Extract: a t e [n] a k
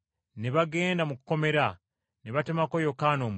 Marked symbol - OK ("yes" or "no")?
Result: no